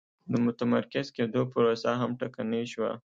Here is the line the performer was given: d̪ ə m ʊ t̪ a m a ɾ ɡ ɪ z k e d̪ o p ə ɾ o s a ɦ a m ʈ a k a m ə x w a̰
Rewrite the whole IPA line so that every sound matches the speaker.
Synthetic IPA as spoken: d̪ ə m ʊ t̪ a m a ɾ k ɪ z k e d̪ o p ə ɾ o s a ɦ a m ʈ a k a n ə ʃ w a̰